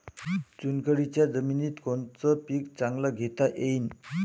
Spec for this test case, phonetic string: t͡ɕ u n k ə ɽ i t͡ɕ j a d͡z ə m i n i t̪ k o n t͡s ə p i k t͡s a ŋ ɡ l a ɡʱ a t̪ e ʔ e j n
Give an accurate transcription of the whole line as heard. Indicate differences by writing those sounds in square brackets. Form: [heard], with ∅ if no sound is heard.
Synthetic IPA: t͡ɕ u n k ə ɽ i t͡ɕ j a d͡z ə m i n i t̪ k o n t͡s ə p i k t͡s a ŋ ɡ l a ɡʱ [e] t̪ [a] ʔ e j n